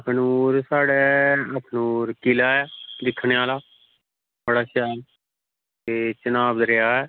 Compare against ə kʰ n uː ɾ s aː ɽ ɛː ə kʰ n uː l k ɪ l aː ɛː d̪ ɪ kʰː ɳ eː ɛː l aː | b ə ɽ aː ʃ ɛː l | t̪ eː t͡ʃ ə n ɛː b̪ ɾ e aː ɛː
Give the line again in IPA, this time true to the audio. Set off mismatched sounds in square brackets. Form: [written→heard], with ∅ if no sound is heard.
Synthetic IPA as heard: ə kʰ n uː ɾ s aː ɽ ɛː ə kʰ n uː [l→ɾ] k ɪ l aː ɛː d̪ ɪ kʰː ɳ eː [ɛː→aː] l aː | b ə ɽ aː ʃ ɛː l | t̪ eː t͡ʃ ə n [ɛː→aː] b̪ ɾ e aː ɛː